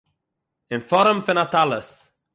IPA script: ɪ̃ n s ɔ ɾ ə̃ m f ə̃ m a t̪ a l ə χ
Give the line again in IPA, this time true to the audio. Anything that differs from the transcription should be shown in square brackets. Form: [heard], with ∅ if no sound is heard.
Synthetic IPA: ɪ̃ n [f] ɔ ɾ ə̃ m f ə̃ [n] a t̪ a l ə [s]